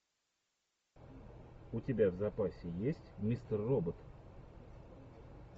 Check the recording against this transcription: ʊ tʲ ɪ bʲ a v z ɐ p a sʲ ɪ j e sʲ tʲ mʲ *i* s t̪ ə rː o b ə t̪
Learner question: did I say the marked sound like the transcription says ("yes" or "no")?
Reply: yes